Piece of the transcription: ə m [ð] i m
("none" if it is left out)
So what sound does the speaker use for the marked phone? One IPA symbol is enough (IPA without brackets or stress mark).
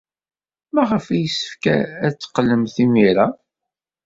θ